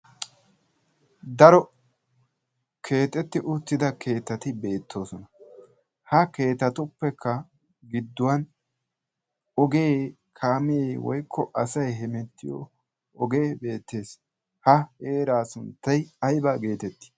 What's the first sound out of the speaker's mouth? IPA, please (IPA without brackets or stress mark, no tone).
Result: d̪